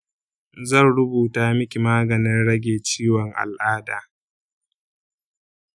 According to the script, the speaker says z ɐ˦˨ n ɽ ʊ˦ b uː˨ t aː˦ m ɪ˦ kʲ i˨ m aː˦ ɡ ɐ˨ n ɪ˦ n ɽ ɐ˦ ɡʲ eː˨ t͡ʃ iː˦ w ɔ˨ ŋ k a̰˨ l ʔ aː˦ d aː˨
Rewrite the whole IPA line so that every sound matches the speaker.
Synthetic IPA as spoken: z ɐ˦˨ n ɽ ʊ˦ b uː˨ t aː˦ m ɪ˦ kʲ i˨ m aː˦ ɡ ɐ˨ n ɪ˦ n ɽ ɐ˦ ɡʲ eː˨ t͡ʃ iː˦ w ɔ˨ ŋ ʔ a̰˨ l ʔ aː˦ d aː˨